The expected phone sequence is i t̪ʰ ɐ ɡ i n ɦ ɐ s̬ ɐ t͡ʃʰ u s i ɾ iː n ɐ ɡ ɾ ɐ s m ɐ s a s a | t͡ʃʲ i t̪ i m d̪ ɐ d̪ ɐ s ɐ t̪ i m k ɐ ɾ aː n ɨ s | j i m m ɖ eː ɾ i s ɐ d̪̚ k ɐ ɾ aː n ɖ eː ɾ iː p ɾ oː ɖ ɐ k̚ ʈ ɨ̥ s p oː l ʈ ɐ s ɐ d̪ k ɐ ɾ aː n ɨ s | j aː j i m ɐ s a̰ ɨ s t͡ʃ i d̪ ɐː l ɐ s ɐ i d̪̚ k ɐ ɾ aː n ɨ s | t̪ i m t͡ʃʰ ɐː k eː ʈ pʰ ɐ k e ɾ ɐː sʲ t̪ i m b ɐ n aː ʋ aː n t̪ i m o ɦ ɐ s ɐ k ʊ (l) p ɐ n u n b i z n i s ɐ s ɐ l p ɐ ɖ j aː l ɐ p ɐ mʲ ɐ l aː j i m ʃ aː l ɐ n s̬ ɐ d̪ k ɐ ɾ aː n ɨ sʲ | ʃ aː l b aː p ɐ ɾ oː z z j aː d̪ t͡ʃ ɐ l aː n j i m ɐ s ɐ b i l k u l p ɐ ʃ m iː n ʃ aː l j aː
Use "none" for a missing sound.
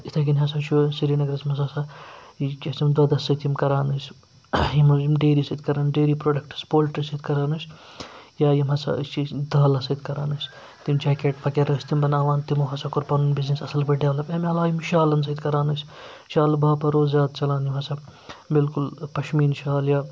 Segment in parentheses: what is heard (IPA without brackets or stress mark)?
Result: ɾ